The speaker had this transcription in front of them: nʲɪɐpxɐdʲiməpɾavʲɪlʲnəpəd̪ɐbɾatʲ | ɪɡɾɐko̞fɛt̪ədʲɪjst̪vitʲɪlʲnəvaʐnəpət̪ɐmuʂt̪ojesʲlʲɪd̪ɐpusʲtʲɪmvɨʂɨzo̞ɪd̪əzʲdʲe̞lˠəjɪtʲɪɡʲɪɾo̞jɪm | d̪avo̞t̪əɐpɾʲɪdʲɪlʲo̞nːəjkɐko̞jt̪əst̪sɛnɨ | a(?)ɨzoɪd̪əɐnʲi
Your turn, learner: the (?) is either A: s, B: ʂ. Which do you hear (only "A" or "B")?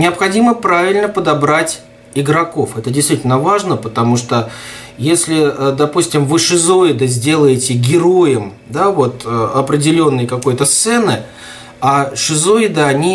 B